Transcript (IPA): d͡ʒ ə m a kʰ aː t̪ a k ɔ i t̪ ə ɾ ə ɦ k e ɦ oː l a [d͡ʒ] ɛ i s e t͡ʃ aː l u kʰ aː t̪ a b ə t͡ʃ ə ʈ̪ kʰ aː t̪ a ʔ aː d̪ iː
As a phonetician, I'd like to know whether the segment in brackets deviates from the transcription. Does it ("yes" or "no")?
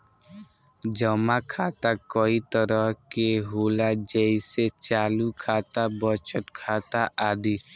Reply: no